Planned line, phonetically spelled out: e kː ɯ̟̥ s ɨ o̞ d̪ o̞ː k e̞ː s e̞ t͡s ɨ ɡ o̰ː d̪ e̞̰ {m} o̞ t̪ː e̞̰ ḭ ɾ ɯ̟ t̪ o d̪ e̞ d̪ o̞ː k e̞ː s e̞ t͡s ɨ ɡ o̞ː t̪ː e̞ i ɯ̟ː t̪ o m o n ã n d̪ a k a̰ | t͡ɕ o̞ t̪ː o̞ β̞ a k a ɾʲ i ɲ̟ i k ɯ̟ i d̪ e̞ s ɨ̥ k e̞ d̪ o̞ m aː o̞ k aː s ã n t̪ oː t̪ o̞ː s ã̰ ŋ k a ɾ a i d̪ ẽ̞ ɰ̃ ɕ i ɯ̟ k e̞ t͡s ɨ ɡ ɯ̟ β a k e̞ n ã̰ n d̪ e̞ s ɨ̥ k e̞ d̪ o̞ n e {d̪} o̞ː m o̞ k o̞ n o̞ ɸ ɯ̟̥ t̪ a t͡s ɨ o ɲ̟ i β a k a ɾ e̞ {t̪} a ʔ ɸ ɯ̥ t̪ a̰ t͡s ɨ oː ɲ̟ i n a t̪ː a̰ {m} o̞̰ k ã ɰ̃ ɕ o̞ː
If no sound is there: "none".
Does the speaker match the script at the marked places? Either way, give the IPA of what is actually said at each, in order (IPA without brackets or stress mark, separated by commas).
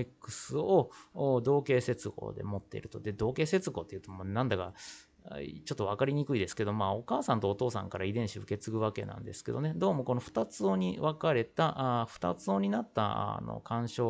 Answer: m, d̪, t̪, n